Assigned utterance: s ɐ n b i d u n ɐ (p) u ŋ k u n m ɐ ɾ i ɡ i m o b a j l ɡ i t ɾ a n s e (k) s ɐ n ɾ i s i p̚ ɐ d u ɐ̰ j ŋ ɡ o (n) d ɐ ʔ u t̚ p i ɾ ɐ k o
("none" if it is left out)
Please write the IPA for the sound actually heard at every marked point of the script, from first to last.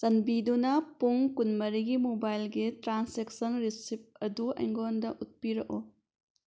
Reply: p, k, n

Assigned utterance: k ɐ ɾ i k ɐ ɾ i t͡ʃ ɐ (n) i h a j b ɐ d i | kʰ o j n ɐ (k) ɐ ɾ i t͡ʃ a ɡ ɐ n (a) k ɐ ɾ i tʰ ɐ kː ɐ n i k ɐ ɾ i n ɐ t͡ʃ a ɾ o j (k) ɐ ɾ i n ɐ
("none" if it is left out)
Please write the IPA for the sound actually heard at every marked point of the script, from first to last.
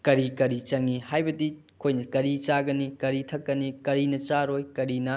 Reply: ŋ, k, i, k

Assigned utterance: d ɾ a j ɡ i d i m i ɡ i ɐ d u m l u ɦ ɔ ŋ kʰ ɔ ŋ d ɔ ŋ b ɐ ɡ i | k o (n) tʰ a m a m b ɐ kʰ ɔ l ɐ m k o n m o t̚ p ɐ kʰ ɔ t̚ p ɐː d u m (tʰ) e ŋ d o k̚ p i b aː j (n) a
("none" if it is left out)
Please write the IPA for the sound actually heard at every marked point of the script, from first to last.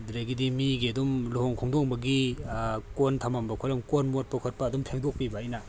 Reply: n, pʰ, n

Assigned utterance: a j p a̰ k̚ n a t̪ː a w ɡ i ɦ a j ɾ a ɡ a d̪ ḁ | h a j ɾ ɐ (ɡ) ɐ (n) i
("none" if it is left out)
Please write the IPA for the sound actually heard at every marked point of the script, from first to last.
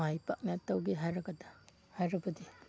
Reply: b, d

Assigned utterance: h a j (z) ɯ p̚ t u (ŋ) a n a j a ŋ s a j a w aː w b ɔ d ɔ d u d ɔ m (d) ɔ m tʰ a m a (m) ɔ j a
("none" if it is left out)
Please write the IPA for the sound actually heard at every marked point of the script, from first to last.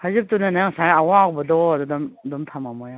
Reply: z, n, d, m

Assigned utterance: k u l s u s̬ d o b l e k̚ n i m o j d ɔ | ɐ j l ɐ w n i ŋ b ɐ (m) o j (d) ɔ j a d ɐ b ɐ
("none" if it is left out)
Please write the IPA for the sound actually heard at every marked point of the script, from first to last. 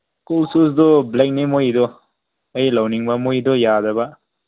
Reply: m, d

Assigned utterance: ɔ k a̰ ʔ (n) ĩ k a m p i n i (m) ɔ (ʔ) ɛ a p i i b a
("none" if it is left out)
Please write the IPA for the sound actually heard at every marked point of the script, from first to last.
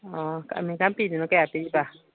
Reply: m, n, k

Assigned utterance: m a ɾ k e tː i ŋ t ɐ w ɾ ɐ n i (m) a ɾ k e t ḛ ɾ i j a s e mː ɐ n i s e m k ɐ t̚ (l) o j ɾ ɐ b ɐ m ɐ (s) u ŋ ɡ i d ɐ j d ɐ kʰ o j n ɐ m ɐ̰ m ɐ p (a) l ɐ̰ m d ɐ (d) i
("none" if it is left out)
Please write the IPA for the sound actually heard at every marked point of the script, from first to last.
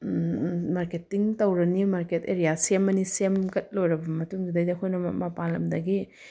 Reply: m, l, t, a, ɡ

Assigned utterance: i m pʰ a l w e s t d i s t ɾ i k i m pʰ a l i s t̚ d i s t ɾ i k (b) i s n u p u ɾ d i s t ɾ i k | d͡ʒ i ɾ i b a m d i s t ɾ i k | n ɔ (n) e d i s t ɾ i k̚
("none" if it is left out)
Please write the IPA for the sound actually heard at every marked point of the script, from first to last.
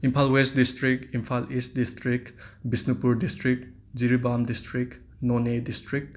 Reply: b, n

